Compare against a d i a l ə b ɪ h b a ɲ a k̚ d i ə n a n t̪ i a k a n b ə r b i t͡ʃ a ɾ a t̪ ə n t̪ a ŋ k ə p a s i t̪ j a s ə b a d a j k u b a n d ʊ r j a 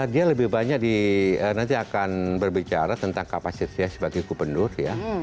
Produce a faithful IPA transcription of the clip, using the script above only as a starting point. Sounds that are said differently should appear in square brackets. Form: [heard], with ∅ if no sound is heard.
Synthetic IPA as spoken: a d i a l ə b ɪ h b a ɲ a k̚ d i ə n a n t̪ i a k a n b ə r b i t͡ʃ a ɾ a t̪ ə n t̪ a ŋ k [a] p a s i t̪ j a s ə b a [ɡ] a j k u b [ə] n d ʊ r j a

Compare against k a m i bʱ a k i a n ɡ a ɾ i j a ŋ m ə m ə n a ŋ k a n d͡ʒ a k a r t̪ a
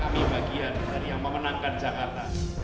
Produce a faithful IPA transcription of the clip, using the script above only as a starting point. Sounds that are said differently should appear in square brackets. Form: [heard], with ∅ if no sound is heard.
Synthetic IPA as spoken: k a m i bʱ a [ɡ] i a n [d] a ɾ i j a ŋ m ə m ə n a ŋ k a n d͡ʒ a k a r t̪ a

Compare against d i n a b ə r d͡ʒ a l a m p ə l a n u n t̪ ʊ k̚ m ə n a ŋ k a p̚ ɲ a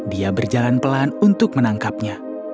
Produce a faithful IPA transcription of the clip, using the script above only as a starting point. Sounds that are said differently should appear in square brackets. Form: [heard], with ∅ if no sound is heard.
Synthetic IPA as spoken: d i [∅] a b ə r d͡ʒ a l a [n] p ə l a n u n t̪ ʊ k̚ m ə n a ŋ k a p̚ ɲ a

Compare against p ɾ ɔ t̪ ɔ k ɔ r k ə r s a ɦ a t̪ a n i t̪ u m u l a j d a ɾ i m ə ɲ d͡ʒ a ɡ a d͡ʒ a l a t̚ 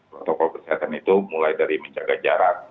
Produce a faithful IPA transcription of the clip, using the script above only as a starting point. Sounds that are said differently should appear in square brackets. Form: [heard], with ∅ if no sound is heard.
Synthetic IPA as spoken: p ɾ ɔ t̪ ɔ k ɔ [l] k ə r s [i] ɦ a t̪ a n i t̪ u m u l a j d a ɾ i m ə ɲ d͡ʒ a ɡ a d͡ʒ a [ɾ] a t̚

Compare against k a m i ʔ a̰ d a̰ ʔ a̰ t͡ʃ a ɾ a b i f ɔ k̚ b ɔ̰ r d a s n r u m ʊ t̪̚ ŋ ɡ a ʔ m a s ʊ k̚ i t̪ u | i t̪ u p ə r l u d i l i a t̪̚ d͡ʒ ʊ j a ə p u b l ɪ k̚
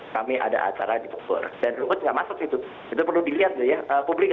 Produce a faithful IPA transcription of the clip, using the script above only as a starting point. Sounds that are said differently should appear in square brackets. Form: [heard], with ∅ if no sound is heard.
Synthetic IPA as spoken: k a m i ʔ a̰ d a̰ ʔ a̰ t͡ʃ a ɾ a [d] i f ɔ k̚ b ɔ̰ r d a [∅] n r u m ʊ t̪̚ ŋ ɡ a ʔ m a s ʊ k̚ i t̪ u | i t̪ u p ə r l u d i l i a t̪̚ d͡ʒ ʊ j a ə p u b l ɪ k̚

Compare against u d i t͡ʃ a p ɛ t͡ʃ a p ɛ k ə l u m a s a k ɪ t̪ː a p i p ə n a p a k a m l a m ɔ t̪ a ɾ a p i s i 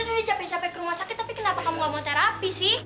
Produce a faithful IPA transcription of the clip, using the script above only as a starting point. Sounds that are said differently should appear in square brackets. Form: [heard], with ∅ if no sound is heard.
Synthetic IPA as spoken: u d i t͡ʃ a p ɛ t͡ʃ a p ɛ k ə [ɾ] u m a s a k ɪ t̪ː a p i [k] ə n a p a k a m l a m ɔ t̪ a ɾ a p i s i

